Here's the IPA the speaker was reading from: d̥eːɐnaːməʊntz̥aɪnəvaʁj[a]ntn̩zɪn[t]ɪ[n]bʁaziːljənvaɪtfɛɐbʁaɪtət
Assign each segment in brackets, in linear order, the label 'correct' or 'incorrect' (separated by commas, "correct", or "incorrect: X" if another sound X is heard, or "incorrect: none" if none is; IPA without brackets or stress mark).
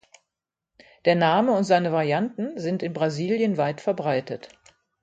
correct, correct, correct